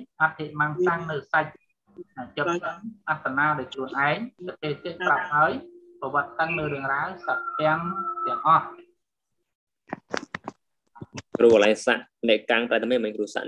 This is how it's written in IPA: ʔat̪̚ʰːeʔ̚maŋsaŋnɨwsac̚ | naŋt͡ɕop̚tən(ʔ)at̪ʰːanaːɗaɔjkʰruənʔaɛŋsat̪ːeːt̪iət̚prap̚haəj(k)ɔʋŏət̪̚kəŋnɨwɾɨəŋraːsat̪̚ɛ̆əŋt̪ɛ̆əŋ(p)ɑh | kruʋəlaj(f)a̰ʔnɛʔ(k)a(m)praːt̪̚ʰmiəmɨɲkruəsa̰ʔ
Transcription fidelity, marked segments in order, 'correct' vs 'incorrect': correct, incorrect: p, incorrect: ʔ, incorrect: s, correct, incorrect: ŋ

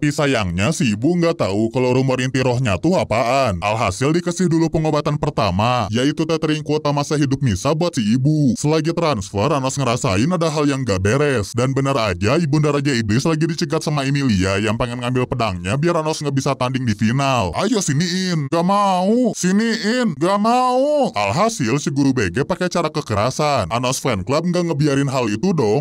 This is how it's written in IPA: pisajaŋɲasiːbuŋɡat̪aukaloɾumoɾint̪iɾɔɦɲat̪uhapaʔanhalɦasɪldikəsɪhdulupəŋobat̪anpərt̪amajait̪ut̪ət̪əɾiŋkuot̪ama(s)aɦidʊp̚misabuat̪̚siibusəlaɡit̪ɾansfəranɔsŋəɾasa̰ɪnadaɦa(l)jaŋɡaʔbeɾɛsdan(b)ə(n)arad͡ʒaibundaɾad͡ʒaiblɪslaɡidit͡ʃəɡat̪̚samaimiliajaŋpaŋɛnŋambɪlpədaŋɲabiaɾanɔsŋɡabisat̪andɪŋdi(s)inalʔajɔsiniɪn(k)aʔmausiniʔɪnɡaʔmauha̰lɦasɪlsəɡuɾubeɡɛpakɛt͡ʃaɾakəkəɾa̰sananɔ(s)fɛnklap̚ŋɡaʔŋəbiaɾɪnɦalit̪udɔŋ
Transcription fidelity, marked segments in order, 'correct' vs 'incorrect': correct, correct, correct, correct, incorrect: f, incorrect: ɡ, correct

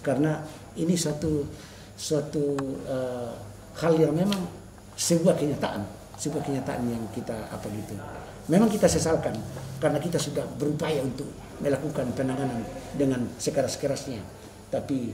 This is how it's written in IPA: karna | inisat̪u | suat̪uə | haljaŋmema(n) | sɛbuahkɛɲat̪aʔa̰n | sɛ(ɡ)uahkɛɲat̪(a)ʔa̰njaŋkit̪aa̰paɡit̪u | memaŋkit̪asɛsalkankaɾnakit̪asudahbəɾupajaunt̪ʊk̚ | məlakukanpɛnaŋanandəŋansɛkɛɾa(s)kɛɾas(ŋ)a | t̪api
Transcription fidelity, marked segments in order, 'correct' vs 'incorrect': incorrect: ŋ, incorrect: b, correct, correct, incorrect: ɲ

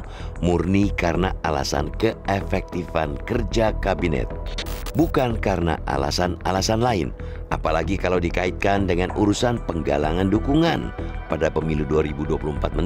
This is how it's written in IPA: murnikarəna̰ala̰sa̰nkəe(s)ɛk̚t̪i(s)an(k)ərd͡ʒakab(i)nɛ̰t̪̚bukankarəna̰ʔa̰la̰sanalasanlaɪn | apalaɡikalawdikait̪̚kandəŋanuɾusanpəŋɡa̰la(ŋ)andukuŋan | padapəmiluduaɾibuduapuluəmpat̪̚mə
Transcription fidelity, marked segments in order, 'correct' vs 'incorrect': incorrect: f, incorrect: f, correct, correct, correct

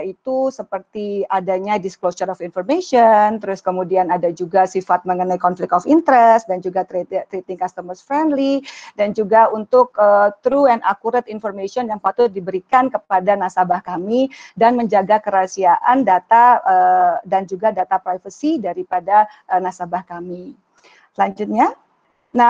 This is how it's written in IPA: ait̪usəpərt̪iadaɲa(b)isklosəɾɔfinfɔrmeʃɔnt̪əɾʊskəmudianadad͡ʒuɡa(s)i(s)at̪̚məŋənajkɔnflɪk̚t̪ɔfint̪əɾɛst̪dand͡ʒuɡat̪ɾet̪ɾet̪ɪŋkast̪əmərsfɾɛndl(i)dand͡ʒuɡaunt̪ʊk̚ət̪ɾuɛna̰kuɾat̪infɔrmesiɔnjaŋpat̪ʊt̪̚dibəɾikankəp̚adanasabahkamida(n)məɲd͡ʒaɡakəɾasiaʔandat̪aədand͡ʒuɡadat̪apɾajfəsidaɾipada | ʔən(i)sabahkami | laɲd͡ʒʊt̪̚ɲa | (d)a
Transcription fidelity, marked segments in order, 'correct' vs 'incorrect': incorrect: d, correct, incorrect: f, correct, correct, incorrect: a, incorrect: n

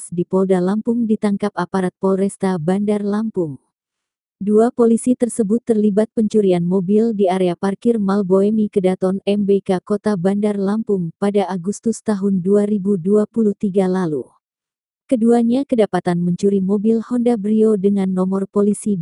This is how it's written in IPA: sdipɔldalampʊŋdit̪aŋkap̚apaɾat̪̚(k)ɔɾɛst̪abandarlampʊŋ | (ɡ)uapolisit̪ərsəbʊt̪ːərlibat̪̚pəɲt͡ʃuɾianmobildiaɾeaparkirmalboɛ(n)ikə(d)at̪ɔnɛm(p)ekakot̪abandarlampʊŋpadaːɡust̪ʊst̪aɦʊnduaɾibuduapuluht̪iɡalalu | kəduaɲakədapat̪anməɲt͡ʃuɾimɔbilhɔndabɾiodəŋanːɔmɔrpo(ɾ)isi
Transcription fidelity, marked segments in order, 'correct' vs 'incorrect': incorrect: p, incorrect: d, incorrect: m, correct, incorrect: b, incorrect: l

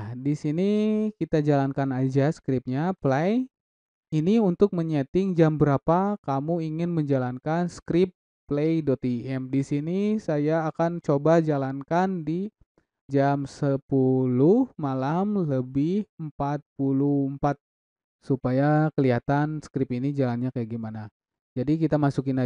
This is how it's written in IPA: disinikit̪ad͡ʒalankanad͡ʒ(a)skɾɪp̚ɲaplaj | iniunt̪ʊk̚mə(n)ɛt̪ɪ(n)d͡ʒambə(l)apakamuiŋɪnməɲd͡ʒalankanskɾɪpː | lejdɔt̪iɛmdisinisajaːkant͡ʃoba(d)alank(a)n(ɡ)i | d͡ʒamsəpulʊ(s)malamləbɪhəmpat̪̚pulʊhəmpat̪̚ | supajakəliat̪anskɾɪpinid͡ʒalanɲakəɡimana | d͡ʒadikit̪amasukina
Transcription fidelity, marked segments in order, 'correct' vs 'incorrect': correct, incorrect: ɲ, incorrect: ŋ, incorrect: ɾ, incorrect: d͡ʒ, correct, incorrect: d, incorrect: h

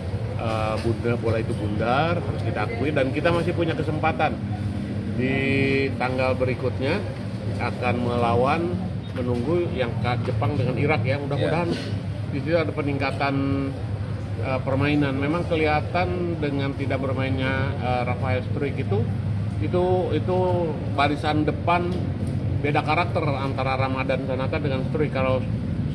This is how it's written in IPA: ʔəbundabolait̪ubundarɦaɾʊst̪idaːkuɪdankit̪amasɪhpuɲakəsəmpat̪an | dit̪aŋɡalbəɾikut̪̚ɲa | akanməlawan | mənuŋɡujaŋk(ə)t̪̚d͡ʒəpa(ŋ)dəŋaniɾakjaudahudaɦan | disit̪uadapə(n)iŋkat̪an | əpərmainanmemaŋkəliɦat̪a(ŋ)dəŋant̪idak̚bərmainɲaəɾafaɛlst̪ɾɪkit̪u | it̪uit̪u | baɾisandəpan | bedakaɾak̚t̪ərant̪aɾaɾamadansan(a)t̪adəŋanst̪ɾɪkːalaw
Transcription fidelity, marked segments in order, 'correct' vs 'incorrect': incorrect: a, correct, correct, incorrect: n, correct

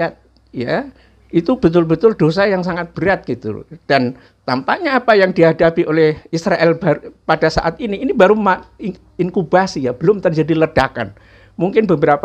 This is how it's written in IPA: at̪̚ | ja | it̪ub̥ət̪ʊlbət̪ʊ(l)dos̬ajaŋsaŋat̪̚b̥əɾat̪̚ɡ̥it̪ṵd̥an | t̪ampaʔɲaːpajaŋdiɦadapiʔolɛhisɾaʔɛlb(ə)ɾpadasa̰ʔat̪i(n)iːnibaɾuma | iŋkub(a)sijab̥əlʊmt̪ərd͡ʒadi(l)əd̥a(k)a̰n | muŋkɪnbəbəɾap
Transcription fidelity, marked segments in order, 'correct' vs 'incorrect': correct, incorrect: a, correct, correct, correct, correct

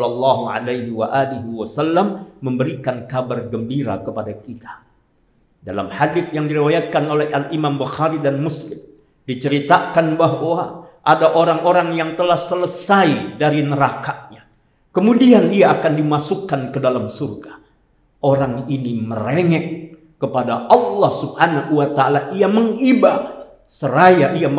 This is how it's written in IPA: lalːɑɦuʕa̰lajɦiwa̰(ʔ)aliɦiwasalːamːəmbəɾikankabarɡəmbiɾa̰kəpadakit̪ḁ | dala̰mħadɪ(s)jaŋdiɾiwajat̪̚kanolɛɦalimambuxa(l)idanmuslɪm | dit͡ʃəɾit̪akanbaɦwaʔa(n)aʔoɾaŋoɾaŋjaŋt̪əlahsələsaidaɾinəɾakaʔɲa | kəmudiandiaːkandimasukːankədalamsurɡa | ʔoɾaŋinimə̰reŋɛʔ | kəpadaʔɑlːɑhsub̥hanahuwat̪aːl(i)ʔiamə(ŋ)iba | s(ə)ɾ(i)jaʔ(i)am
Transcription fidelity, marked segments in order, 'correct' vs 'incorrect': correct, incorrect: θ, incorrect: ɾ, incorrect: d, incorrect: a, correct, correct, incorrect: a, correct

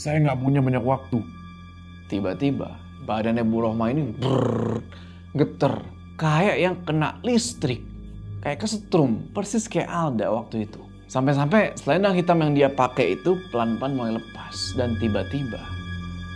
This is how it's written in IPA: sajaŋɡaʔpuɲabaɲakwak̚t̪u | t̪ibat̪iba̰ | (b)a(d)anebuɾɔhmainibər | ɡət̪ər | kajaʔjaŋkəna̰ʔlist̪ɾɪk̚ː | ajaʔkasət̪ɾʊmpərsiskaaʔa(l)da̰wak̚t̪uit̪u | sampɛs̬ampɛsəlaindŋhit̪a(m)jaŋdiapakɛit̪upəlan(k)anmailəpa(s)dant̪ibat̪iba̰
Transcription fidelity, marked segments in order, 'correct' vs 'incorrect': correct, correct, correct, correct, incorrect: p, correct

